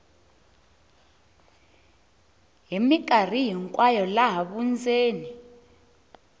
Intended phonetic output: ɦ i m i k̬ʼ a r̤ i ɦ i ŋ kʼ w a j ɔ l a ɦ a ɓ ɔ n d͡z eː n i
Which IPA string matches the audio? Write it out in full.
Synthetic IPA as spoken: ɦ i m i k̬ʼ a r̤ i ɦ i ŋ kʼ w a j ɔ l a ɦ a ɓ u n d͡z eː n i

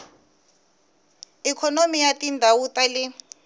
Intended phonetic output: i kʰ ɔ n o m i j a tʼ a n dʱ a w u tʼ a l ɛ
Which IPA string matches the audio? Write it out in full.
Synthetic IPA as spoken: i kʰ ɔ n o m i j a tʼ i n dʱ a w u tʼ a l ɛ

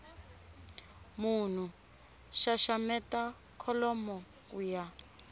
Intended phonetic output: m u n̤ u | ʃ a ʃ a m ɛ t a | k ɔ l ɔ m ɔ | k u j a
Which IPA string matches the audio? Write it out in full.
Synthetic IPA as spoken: m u n̤ u | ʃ a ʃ a m ɛ t a | kʰ ɔ l ɔ m ɔ | k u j a

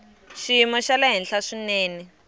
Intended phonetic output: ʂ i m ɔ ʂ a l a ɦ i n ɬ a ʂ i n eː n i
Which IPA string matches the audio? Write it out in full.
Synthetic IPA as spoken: ʃ i m ɔ ʃ a l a ɦ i n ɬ a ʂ i n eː n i

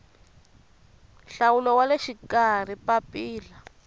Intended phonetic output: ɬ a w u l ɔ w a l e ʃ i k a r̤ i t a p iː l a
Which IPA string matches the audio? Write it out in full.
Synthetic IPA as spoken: ɬ a w u l ɔ w a l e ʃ i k a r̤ i p a p iː l a

